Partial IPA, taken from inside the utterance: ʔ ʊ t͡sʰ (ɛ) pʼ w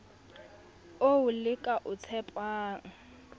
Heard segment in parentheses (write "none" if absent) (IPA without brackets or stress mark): ɛ